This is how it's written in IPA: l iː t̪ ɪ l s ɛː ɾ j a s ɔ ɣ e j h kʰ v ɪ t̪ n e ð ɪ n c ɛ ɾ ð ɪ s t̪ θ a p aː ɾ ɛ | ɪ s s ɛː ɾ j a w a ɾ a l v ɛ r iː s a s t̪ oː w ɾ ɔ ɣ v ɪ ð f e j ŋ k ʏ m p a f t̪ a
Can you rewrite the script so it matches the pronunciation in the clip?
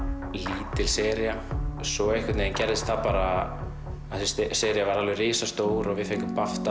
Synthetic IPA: l iː t̪ ɪ l s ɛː ɾ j a s ɔ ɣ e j h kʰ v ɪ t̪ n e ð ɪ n c ɛ ɾ ð ɪ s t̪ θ a p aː ɾ a | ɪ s s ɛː ɾ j a v a ɾ a l v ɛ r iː s a s t̪ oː w ɾ ɔ ɣ v ɪ ð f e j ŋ k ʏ m p a f t̪ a